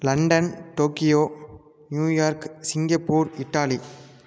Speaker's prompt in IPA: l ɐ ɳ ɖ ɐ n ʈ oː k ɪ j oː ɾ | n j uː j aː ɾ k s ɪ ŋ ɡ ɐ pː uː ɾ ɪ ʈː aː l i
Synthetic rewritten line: l ɐ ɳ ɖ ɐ n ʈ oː k ɪ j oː | n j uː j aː ɾ k s ɪ ŋ ɡ ɐ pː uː ɾ ɪ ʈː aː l i